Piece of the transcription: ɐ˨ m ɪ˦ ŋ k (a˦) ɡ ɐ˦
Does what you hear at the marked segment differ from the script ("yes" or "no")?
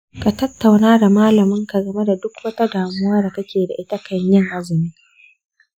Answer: yes